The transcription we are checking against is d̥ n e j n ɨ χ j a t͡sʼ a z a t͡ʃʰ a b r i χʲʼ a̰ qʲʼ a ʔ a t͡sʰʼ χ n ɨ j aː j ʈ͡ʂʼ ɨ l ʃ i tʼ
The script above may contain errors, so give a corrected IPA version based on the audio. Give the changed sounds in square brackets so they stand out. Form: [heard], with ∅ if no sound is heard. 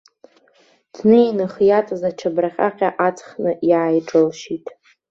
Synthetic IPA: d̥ n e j n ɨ χ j a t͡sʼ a z a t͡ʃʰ a b r [a] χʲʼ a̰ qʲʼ a ʔ a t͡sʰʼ χ n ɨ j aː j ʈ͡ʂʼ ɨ l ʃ i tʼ